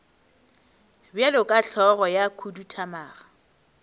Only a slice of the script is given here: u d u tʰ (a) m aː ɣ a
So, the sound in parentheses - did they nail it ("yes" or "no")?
yes